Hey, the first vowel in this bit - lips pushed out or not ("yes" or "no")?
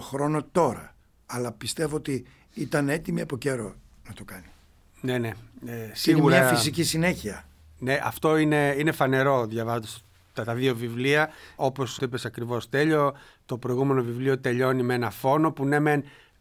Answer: yes